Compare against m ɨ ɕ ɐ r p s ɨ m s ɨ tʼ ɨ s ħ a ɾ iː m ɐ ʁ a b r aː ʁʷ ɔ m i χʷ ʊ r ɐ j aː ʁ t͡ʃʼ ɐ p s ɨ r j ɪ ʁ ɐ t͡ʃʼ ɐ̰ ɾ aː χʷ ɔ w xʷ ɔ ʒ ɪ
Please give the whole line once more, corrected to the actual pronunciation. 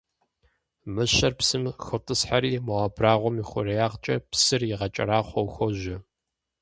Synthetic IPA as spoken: m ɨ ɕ ɐ r p s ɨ m x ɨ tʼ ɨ s ħ a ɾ iː m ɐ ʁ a b r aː ʁʷ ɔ m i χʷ ʊ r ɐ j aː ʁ t͡ʃʼ ɐ p s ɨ r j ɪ ʁ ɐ t͡ʃʼ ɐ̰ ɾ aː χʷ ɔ w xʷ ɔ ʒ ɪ

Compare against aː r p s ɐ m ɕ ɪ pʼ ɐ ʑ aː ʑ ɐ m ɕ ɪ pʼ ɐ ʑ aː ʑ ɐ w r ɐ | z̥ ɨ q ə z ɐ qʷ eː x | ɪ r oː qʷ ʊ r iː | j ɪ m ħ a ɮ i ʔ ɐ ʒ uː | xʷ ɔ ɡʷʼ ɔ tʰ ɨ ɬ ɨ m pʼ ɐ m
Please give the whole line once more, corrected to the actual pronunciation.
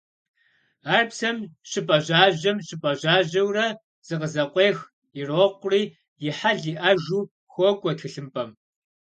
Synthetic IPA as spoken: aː r p s ɐ m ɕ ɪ pʼ ɐ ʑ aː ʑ ɐ m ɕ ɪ pʼ ɐ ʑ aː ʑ ɐ w r ɐ | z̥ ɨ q ə z ɐ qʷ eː x | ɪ r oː qʷ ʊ r iː | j ɪ ħ a ɮ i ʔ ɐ ʒ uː | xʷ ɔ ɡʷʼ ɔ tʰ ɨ ɬ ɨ m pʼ ɐ m

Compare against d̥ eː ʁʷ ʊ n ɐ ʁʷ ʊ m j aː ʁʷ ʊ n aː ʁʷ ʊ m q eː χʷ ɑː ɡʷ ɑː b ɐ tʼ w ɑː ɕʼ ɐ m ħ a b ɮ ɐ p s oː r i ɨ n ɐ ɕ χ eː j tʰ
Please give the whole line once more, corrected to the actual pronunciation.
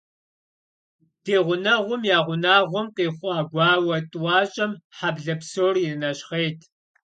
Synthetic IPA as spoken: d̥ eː ʁʷ ʊ n ɐ ʁʷ ʊ m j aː ʁʷ ʊ n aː ʁʷ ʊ m q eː χʷ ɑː ɡʷ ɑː w ɐ tʼ w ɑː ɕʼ ɐ m ħ a b ɮ ɐ p s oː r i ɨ n ɐ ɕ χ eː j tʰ

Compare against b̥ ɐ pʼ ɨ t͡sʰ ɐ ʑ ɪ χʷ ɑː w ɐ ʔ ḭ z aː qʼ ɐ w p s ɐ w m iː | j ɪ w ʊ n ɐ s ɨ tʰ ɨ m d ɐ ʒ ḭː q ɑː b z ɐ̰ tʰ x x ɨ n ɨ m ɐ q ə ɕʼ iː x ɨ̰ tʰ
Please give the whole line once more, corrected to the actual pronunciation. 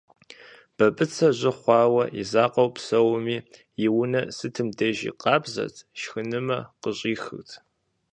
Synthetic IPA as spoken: b̥ ɐ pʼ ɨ t͡sʰ ɐ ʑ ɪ χʷ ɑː w ɐ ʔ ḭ z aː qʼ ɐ w p s ɐ w m iː | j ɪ w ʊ n ɐ s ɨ tʰ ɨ m d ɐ ʒ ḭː q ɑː b z ɐ̰ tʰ ʃ x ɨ n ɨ m ɐ q ə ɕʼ iː x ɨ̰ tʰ

